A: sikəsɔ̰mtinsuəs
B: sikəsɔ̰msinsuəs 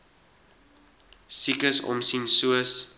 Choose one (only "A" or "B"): B